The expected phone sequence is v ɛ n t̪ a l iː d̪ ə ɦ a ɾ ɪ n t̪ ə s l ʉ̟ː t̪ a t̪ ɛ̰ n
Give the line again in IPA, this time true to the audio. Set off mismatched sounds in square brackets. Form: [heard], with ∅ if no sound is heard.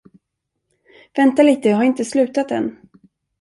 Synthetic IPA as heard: v ɛ n t̪ a l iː [t̪] ə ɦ a ɾ ɪ n t̪ ə s l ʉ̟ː t̪ a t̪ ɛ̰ n